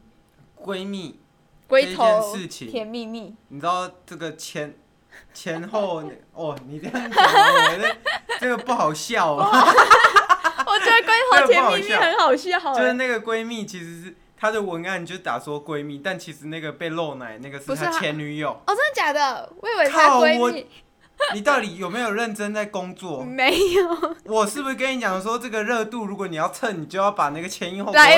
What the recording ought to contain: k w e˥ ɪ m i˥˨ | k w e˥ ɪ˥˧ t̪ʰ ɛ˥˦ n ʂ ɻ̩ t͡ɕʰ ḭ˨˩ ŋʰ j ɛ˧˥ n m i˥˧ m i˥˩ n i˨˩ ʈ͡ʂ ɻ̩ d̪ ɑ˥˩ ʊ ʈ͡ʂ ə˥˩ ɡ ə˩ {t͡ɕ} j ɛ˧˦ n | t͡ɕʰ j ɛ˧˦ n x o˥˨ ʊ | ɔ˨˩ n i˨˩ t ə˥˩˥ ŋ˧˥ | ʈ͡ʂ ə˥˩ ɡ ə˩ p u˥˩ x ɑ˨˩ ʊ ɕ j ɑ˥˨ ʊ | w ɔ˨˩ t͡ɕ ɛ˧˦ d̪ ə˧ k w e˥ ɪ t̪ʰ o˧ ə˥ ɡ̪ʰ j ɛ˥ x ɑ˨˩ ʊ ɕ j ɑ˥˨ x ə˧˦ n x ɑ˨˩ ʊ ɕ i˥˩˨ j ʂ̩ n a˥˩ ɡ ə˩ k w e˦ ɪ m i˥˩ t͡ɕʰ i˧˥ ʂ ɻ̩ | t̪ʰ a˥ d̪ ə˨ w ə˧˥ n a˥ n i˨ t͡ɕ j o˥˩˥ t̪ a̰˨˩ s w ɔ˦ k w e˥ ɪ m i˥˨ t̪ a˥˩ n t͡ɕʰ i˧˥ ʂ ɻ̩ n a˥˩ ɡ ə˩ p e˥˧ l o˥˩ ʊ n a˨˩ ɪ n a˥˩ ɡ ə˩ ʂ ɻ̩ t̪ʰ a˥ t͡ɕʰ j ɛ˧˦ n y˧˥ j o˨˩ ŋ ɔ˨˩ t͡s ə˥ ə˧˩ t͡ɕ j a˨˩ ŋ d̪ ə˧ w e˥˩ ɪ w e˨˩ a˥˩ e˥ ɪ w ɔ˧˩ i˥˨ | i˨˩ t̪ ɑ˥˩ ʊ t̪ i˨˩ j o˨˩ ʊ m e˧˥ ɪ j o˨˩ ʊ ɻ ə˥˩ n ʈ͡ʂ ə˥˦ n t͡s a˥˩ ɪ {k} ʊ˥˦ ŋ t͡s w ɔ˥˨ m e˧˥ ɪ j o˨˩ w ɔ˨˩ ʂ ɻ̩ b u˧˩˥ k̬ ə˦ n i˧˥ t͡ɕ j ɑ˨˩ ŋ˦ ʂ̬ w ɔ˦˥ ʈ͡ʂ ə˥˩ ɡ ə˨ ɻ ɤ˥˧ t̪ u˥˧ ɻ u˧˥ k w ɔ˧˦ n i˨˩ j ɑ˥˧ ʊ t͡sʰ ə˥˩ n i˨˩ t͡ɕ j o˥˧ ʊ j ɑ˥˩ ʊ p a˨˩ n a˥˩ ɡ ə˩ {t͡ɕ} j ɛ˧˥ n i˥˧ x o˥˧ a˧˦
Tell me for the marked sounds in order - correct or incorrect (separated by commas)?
incorrect, correct, incorrect